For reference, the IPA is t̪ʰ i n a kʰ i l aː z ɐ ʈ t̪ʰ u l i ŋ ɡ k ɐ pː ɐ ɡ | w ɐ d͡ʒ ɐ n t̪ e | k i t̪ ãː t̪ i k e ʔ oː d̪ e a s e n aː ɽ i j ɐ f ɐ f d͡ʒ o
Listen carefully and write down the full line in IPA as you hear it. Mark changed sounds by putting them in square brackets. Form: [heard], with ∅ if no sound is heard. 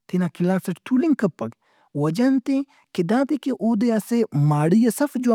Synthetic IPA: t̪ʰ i n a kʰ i l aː [s] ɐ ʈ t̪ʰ u l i ŋ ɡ k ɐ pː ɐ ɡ | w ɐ d͡ʒ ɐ n t̪ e | k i [d̪] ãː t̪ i k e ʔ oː d̪ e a s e [m] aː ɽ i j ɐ [s] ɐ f d͡ʒ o